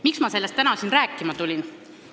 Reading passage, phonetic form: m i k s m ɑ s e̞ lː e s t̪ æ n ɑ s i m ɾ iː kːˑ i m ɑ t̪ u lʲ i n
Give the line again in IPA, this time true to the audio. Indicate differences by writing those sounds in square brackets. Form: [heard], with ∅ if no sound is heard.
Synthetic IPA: m i k s m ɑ s e̞ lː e s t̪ æ n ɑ s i [n] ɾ [æː] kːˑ i m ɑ t̪ u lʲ i n